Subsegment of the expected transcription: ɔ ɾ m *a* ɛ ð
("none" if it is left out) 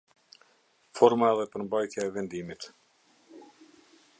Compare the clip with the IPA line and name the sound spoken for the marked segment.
a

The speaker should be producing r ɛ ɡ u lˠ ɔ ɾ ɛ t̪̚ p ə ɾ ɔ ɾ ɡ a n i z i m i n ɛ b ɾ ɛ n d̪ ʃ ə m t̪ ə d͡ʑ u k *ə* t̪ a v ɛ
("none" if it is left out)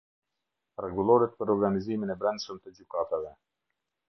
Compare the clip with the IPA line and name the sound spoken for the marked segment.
a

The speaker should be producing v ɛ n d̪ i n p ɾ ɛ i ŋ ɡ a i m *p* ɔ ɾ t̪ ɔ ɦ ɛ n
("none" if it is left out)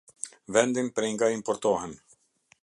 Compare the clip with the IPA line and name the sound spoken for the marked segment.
p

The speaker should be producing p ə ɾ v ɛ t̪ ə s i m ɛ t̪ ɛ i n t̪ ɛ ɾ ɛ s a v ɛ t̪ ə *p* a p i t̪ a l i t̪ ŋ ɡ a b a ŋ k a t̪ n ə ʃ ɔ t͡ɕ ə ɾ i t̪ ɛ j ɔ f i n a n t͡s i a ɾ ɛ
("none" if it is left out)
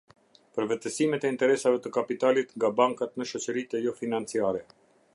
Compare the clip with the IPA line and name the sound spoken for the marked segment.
k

